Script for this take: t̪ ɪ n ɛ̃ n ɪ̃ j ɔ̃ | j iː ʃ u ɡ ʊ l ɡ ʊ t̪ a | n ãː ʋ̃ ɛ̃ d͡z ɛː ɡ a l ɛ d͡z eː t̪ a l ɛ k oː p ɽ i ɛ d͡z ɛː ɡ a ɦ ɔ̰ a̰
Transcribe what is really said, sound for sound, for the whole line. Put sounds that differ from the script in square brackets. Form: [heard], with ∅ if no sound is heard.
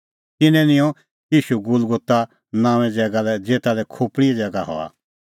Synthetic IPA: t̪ ɪ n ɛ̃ n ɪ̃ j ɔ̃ | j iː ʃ u ɡ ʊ l ɡ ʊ t̪ a | n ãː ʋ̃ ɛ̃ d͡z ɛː ɡ a l ɛ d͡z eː t̪ a l ɛ [kʰ] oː p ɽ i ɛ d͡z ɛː ɡ a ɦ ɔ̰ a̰